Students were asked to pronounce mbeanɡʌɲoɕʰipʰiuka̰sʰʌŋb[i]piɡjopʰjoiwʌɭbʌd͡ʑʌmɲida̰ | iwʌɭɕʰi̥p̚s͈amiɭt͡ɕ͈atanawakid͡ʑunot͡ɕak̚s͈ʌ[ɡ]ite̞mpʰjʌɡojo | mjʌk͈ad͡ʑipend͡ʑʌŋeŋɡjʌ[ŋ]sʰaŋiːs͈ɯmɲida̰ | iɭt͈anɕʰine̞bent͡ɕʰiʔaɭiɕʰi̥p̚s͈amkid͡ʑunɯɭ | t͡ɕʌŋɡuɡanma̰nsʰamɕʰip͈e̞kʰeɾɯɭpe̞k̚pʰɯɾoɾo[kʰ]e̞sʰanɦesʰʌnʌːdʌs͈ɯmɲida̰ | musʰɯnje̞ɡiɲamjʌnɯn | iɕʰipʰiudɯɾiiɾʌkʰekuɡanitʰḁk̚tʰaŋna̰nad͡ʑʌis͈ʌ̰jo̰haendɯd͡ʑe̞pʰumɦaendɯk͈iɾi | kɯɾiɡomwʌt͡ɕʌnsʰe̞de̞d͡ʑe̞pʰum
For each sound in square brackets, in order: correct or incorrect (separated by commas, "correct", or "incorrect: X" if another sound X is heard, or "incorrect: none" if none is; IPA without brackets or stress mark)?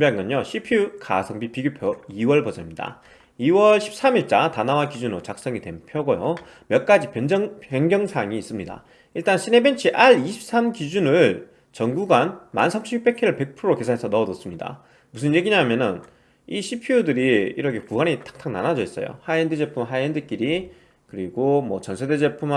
correct, incorrect: ŋ, correct, incorrect: k